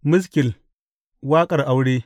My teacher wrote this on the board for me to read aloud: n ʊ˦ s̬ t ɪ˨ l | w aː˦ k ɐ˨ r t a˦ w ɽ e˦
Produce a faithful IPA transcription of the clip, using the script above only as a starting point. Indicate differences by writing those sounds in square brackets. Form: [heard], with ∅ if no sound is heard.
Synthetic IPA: [m] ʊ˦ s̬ [k] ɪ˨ l | w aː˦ [kʼ] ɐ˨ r [ʔ] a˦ w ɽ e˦